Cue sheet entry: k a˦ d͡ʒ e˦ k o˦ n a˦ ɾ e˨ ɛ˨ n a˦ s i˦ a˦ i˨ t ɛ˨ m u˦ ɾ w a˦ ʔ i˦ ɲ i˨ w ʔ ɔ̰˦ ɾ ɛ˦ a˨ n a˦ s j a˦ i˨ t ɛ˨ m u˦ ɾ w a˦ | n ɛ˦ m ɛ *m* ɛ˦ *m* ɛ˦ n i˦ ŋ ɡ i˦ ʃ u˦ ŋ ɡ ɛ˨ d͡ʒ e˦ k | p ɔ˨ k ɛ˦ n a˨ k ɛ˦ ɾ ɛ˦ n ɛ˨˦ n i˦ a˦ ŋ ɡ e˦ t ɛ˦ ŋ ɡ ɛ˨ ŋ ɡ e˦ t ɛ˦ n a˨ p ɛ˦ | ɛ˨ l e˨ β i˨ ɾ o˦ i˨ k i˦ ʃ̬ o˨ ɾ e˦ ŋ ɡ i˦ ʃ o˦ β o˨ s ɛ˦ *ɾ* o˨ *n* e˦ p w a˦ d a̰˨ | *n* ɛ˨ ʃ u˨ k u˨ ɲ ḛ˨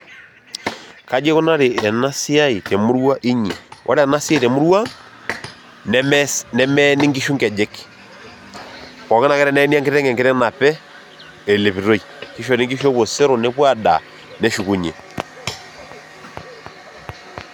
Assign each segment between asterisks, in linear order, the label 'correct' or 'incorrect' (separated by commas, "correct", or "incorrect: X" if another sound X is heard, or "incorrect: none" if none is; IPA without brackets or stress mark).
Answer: incorrect: n, correct, correct, correct, correct